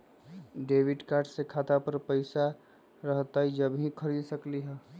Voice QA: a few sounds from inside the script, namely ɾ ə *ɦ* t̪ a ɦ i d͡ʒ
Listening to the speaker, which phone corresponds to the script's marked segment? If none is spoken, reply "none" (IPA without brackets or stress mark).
ɦ